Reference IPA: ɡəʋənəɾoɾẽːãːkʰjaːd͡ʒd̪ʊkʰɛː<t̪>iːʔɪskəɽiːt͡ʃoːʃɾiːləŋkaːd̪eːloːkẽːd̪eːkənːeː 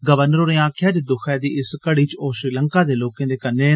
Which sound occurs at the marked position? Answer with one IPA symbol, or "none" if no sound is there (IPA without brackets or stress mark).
d̪